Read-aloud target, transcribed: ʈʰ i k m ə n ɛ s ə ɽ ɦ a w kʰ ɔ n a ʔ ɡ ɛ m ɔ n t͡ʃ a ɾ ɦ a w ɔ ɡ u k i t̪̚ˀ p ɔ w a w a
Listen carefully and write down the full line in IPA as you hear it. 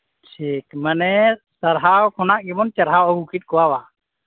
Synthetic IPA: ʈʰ i k m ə n ɛ s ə ɾ ɦ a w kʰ ɔ n a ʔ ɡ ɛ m ɔ n t͡ʃ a ɾ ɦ a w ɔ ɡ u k i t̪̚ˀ k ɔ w a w a